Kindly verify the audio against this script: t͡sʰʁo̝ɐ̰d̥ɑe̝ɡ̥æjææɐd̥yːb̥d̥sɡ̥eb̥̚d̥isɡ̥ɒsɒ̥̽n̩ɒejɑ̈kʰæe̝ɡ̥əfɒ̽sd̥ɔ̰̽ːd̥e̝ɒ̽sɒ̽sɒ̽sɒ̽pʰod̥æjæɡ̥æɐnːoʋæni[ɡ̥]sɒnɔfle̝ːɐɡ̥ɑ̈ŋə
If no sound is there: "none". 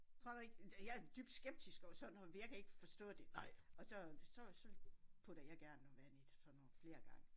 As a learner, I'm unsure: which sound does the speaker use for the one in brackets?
d̥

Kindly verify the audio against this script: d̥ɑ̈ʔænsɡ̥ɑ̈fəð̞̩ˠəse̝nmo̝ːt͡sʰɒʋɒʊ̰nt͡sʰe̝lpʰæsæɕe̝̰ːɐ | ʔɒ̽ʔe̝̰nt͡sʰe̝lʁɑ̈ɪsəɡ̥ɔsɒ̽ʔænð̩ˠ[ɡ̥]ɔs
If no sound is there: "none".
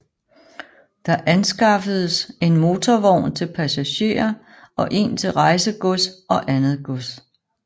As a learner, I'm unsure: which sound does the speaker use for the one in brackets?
ɡ̥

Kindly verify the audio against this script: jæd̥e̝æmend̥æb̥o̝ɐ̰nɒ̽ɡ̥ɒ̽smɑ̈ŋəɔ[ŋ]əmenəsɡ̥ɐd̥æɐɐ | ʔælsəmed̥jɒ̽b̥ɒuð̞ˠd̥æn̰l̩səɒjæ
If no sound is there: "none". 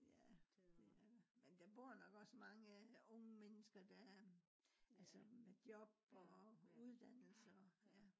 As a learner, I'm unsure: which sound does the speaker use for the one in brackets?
ŋ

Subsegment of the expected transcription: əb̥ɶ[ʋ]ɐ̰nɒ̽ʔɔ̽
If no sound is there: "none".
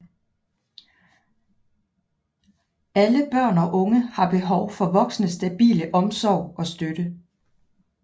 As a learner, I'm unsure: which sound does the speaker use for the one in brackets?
none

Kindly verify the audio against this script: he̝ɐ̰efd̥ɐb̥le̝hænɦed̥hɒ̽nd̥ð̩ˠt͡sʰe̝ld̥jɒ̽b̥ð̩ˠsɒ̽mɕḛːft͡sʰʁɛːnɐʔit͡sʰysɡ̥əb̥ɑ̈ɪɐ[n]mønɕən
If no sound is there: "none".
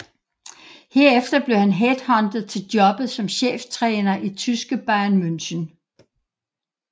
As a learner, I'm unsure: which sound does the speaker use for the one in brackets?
n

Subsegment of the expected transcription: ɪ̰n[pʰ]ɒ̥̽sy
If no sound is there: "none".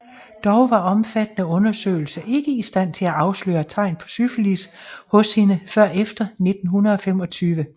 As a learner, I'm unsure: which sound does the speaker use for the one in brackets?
pʰ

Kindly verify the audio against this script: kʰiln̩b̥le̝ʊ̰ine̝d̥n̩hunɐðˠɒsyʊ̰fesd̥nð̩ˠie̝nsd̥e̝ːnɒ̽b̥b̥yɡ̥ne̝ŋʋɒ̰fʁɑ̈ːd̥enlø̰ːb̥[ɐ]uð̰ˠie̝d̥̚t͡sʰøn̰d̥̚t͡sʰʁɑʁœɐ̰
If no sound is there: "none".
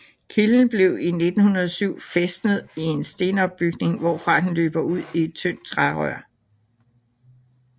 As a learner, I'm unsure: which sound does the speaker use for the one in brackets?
ɐ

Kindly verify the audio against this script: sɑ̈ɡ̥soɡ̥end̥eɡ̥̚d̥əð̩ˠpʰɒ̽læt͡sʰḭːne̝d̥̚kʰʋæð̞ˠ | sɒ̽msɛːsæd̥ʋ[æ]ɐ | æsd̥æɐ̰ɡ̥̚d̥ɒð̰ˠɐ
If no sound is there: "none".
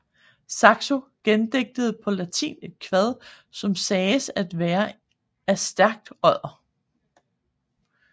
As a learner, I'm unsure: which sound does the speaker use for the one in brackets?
æː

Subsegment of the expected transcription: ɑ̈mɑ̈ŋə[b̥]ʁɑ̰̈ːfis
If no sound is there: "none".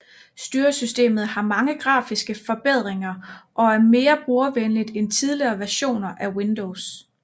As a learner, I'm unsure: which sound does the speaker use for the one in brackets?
ɡ̥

